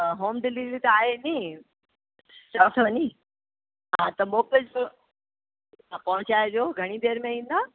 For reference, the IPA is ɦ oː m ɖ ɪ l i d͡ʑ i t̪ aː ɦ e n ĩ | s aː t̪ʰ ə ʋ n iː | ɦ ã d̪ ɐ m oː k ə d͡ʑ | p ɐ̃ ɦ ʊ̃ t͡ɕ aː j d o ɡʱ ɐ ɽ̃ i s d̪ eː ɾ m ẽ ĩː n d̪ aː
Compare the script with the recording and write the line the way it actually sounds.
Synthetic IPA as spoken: ɦ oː m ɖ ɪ l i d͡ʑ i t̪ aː ɦ e n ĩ | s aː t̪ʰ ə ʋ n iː | ɦ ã t̪ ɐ m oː k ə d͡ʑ | p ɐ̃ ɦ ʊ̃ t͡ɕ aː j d o ɡʱ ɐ ɽ̃ i d̪ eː ɾ m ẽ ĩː n d̪ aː